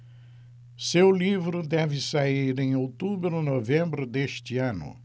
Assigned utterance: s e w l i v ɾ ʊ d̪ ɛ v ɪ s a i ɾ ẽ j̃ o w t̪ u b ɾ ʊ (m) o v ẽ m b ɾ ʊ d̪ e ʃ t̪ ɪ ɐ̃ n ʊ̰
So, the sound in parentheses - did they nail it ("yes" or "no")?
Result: no